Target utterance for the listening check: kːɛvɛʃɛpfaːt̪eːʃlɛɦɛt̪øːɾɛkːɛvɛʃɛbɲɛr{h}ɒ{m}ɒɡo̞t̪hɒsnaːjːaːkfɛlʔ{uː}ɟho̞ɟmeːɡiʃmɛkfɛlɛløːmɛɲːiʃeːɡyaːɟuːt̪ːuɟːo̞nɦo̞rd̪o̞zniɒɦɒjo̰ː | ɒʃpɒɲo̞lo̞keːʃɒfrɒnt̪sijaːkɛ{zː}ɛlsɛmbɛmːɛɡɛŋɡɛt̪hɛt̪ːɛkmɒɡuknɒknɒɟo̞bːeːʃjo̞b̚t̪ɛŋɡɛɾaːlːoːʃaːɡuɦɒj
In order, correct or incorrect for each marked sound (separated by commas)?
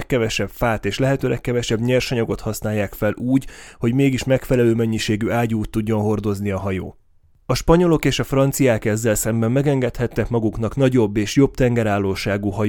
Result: incorrect, incorrect, correct, correct